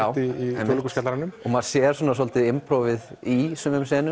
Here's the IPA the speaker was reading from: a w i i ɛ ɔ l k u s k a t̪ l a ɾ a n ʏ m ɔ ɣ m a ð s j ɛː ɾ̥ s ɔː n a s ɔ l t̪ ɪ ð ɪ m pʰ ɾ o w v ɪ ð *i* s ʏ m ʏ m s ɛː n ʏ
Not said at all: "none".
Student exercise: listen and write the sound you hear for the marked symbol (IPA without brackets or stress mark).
i